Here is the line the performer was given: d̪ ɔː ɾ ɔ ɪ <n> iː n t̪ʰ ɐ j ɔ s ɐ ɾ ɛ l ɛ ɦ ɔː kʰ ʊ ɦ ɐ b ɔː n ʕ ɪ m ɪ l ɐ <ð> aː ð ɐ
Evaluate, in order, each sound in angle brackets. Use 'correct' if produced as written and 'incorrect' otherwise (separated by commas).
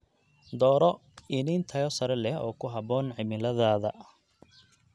correct, correct